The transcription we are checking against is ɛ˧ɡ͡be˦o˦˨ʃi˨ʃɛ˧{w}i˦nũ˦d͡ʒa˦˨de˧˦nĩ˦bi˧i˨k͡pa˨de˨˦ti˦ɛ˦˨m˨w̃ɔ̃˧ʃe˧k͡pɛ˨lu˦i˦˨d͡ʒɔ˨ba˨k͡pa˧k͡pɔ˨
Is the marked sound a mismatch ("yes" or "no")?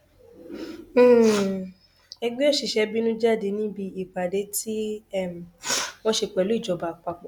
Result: yes